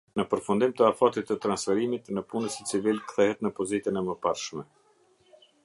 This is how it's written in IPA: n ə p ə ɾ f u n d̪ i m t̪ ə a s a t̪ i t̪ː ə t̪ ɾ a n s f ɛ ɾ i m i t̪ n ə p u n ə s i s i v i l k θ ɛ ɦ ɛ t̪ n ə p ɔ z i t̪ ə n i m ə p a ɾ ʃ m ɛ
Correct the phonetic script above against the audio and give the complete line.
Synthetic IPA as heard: n ə p ə ɾ f u n d̪ i m t̪ ə a f a t̪ i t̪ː ə t̪ ɾ a n s f ɛ ɾ i m i t̪ n ə p u n ə s i t͡s i v i l k θ ɛ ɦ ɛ t̪ n ə p ɔ z i t̪ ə n ɛ m ə p a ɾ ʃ m ɛ